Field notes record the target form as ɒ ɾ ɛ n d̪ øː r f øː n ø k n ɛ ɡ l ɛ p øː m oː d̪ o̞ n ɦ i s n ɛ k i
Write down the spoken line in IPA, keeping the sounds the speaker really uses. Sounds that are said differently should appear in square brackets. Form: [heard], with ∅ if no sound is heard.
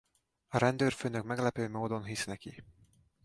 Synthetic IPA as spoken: ɒ ɾ ɛ n d̪ øː r f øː n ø k [m] ɛ ɡ l ɛ p øː m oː d̪ o̞ n ɦ i s n ɛ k i